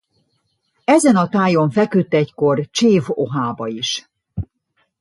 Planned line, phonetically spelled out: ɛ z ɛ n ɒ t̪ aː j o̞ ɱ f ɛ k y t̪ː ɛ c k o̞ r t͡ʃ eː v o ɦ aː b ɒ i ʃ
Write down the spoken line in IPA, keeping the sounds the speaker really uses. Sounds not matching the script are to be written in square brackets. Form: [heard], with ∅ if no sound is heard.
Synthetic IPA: ɛ z ɛ n ɒ t̪ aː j o̞ ɱ f ɛ k y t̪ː ɛ c k o̞ r t͡ʃ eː v o ɦ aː b ɒ i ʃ